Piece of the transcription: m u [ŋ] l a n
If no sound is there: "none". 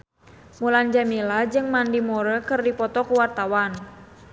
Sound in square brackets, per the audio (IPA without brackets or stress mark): none